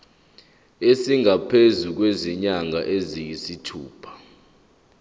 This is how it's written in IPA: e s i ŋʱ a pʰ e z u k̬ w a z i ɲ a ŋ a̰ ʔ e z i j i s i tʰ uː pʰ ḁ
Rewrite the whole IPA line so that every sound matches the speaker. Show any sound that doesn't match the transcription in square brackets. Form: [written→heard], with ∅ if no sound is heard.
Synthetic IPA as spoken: e s i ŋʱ a pʰ e z u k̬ w [a→e] z i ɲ a ŋ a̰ ʔ e z i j i s i tʰ uː pʰ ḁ